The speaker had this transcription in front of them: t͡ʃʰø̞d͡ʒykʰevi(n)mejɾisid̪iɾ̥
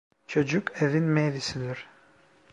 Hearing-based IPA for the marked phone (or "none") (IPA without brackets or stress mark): n